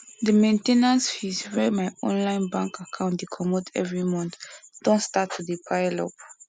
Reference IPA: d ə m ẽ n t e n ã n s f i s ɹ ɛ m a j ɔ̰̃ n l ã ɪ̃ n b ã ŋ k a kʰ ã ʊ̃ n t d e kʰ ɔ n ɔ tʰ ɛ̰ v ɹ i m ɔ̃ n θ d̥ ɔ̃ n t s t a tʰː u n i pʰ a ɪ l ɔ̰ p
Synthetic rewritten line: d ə m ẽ n t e n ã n s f i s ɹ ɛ m a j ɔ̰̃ n l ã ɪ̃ n b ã ŋ k a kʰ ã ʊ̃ n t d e kʰ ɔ m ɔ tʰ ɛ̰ v ɹ i m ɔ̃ n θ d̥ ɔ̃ n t s t a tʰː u d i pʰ a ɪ l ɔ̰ p